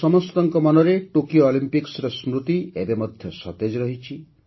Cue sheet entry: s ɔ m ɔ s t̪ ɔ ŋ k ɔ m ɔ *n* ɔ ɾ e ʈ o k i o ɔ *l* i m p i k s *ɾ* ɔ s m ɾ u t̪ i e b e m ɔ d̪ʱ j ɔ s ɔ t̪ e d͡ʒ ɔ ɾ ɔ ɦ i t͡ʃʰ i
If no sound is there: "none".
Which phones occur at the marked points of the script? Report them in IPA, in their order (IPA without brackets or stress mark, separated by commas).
n, l, ɾ